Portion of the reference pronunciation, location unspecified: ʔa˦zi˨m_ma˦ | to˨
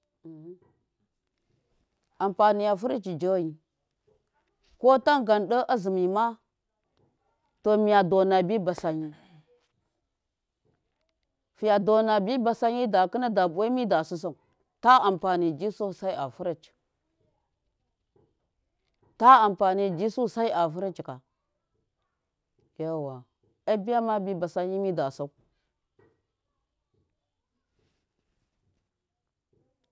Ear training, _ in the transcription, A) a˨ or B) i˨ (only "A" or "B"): B